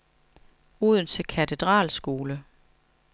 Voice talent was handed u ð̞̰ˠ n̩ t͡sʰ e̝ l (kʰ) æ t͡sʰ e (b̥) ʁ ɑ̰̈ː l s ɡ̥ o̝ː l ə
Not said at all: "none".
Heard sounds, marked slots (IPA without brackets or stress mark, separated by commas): kʰ, d̥